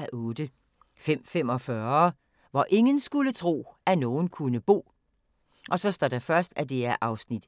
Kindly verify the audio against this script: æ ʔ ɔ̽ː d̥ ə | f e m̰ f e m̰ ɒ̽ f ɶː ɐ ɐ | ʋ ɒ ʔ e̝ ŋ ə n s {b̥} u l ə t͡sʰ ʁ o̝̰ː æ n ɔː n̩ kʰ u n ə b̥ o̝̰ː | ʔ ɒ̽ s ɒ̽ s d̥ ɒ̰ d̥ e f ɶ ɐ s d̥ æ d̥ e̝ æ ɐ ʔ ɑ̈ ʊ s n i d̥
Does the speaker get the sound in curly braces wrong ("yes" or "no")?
yes